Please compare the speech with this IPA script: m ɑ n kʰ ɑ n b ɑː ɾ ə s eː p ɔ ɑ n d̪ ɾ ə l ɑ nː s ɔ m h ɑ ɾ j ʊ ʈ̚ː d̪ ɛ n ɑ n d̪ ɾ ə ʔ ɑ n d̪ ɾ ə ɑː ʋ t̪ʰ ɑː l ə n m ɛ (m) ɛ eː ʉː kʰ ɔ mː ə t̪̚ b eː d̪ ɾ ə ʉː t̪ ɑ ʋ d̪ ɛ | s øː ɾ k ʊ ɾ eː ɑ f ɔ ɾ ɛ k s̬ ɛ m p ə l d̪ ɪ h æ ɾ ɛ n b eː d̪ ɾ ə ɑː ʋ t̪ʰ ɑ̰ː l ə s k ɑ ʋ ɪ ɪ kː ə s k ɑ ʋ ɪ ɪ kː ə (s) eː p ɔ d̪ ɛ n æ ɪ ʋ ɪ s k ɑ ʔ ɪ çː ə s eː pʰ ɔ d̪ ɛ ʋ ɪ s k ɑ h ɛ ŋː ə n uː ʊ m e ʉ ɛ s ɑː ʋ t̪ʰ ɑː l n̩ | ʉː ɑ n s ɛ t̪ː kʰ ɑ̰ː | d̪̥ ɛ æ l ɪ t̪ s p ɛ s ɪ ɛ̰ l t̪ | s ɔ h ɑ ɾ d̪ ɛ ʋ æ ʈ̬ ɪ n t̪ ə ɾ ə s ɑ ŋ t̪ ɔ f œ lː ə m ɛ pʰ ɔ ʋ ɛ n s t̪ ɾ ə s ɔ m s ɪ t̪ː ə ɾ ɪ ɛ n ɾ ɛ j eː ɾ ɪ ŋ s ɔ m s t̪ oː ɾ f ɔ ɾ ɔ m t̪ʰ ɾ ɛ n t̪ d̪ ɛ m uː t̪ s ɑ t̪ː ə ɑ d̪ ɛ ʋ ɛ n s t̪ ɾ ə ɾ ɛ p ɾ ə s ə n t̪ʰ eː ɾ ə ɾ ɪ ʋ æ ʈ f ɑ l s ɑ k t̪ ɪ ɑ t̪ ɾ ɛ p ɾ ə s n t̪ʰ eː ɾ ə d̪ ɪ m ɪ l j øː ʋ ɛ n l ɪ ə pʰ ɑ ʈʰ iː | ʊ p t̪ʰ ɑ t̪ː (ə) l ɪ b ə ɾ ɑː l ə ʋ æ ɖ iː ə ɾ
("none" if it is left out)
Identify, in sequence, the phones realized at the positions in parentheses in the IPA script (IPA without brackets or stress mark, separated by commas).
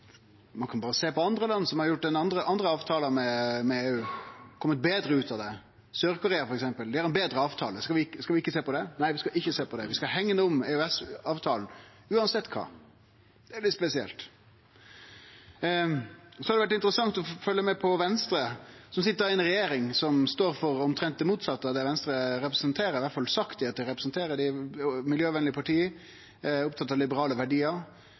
m, s, ɑ